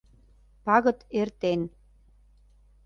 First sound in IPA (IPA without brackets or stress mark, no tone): p